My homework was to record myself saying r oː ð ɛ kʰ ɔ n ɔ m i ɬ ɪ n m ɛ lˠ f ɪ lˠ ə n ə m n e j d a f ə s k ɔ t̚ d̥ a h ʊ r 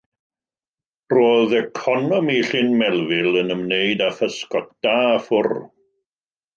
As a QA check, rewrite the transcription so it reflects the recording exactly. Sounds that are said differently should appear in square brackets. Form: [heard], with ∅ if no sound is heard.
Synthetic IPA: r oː ð ɛ kʰ ɔ n ɔ m i ɬ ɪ n m ɛ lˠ [v] ɪ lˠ ə n ə m n e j d a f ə s k ɔ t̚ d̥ a [f] ʊ r